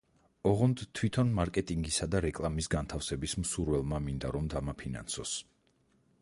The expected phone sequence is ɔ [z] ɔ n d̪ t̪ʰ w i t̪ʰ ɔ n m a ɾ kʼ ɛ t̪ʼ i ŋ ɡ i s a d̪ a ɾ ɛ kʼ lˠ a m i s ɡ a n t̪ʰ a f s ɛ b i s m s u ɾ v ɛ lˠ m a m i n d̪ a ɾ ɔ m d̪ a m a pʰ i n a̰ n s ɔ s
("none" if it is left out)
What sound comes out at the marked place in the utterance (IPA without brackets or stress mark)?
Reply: ʁ